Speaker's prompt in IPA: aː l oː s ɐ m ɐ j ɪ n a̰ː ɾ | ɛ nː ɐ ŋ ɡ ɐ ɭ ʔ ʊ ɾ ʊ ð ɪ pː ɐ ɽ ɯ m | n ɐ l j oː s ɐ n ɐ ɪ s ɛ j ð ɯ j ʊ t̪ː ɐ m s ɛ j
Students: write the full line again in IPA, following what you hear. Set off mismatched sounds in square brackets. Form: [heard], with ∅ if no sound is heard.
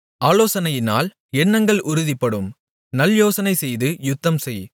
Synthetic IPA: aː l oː s ɐ [n] ɐ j ɪ n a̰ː [l] | ɛ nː ɐ ŋ ɡ ɐ ɭ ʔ ʊ ɾ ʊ ð ɪ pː ɐ ɽ ɯ m | n ɐ l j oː s ɐ n ɐ ɪ s ɛ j ð ɯ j ʊ t̪ː ɐ m s ɛ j